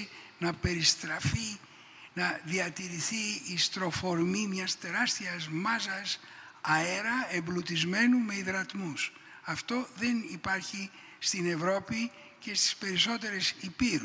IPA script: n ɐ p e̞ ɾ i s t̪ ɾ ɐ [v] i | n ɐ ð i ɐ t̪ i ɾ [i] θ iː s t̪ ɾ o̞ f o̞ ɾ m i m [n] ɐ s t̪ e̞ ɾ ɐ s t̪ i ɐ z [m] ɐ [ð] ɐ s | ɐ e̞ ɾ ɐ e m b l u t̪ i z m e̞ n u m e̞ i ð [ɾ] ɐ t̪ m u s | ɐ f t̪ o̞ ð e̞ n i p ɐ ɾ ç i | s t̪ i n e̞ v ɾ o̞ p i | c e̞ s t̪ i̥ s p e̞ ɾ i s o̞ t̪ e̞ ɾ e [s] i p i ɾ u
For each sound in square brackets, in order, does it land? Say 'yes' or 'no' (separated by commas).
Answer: no, yes, no, yes, no, yes, yes